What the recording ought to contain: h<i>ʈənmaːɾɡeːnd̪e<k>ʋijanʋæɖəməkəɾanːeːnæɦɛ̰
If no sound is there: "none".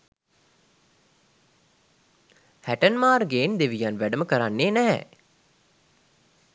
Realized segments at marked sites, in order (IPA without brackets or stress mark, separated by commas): æ, none